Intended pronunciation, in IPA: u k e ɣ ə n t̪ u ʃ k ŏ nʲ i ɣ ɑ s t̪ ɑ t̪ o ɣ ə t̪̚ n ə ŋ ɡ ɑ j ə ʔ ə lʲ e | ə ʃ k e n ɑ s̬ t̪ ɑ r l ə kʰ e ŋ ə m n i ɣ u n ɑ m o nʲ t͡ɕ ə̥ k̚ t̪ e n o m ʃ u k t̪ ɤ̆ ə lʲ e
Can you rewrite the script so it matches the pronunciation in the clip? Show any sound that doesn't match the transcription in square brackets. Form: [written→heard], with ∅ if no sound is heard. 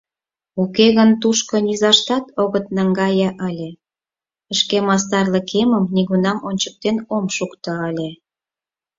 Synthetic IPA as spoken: u k e ɣ ə n t̪ u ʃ k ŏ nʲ i [ɣ→z] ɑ [s→ʃ] t̪ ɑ t̪ o ɣ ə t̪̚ n [ə→ɑ] ŋ ɡ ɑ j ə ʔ ə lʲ e | ə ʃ k e [n→m] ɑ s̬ t̪ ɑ r l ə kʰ e [ŋ→m] ə m n i ɣ u n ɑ m o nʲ t͡ɕ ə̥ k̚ t̪ e n o m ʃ u k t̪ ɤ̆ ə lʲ e